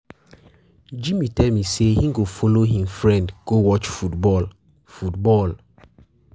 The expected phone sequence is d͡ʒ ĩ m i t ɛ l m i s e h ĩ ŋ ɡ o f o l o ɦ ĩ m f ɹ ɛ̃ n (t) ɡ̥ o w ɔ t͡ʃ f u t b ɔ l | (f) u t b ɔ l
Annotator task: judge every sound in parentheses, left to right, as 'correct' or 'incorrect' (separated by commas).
incorrect, correct